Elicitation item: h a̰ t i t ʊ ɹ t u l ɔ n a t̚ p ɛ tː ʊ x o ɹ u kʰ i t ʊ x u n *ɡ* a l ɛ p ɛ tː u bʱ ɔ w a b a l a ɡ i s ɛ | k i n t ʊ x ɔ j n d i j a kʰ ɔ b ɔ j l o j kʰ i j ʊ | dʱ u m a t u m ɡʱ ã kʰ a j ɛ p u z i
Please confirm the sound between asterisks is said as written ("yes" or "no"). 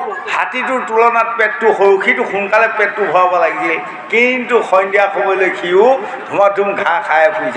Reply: no